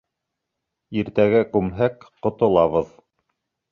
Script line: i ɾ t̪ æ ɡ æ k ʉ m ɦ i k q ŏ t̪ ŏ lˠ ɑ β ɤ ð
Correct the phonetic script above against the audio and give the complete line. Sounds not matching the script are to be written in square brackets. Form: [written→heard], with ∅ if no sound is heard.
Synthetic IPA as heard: i ɾ t̪ æ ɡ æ k ʉ m ɦ [i→æ] k q ŏ t̪ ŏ lˠ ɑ β ɤ ð